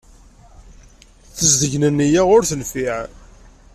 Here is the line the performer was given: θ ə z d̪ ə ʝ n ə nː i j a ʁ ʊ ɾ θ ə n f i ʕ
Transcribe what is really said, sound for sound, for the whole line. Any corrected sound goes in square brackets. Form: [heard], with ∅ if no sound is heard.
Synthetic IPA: θ ə z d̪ ə ʝ n ə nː i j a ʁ ʊ ɾ θ ə n f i ʕ